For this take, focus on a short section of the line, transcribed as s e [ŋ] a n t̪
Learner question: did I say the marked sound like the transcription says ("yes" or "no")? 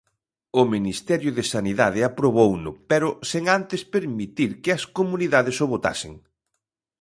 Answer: yes